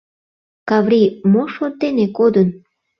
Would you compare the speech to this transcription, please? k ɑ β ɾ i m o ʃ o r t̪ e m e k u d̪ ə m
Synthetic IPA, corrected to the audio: k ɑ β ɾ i m o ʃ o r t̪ e n e k o d̪ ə n

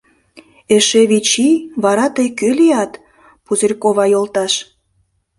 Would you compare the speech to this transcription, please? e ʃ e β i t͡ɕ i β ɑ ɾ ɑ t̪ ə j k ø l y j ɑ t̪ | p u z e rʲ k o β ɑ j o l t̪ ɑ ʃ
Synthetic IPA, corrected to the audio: e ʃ e β i t͡ɕ i β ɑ ɾ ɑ t̪ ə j k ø l i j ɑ t̪ | p u z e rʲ k o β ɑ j o l t̪ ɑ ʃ

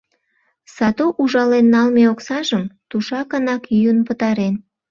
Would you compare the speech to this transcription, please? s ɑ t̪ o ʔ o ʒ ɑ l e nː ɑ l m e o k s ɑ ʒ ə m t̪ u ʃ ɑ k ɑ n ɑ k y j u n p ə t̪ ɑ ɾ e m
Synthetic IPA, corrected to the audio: s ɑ t̪ o ʔ u ʒ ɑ l e nː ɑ l m e o k s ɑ ʒ ə m t̪ u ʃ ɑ k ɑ n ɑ k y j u n p ə t̪ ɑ ɾ e n

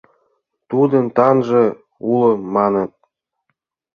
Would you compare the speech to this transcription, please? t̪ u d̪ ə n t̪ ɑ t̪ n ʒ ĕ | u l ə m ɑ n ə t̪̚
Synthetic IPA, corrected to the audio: t̪ u d̪ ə n t̪ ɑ n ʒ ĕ | u l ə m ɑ n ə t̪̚

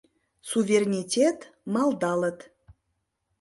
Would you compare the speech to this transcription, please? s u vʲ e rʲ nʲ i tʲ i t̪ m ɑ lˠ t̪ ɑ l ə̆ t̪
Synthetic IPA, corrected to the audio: s u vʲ e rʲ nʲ i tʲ e t̪ m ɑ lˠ d̪ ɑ l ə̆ t̪

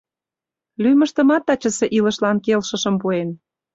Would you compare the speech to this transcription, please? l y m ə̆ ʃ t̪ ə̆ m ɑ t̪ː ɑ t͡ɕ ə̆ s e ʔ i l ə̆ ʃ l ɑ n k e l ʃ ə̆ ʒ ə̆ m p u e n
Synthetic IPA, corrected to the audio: l y m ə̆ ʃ t̪ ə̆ m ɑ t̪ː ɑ t͡ɕ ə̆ s e ʔ i l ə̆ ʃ l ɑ n k e l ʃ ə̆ ʃ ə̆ m p u e n

